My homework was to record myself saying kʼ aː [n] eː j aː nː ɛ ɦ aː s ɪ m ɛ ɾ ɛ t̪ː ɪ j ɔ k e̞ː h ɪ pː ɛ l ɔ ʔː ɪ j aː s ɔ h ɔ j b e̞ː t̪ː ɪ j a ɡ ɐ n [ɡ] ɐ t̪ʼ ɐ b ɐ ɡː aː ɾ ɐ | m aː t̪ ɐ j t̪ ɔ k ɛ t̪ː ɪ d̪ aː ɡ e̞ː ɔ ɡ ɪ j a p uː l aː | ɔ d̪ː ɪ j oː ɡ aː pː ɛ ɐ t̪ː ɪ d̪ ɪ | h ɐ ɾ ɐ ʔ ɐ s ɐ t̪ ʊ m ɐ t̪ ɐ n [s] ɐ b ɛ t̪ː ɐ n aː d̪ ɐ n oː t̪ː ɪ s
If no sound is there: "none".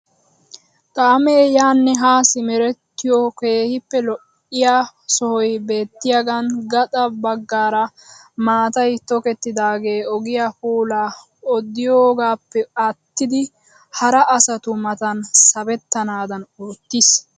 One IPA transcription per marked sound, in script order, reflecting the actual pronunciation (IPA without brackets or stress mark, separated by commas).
m, ɡ, s